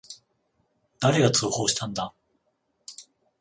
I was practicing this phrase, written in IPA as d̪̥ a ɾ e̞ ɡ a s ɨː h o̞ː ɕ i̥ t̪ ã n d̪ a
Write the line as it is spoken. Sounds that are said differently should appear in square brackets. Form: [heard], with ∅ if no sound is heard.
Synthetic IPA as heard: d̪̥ a ɾ e̞ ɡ a [t͡s] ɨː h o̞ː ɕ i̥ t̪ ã n d̪ a